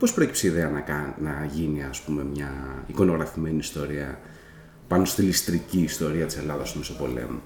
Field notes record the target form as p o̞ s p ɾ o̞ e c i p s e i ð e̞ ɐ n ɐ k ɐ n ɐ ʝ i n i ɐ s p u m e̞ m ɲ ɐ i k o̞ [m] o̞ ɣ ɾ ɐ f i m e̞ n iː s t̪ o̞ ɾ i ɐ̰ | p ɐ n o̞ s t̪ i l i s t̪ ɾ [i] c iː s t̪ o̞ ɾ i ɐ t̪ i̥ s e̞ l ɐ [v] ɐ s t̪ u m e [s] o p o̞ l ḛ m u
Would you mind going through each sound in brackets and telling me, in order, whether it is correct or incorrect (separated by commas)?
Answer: incorrect, correct, incorrect, correct